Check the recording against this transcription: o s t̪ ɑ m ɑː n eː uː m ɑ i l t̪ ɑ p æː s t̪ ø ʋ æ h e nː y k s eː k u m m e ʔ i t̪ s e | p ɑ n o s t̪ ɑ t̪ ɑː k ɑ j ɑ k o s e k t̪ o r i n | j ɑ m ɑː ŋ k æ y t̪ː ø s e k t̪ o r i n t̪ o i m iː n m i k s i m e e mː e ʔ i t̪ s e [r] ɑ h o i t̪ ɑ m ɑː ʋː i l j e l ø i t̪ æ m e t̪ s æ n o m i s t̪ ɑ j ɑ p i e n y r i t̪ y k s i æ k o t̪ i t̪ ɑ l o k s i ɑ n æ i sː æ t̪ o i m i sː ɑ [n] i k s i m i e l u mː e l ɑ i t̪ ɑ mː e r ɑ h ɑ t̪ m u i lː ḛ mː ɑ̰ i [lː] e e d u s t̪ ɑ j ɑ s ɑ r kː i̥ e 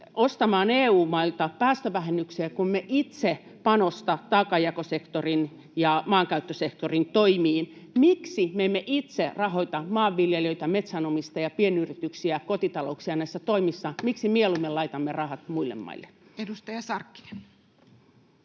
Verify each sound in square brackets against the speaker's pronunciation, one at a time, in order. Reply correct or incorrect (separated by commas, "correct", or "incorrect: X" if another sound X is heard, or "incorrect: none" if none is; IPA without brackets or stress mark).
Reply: correct, incorrect: m, correct